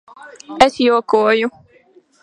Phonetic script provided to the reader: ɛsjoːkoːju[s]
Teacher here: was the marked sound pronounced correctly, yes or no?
no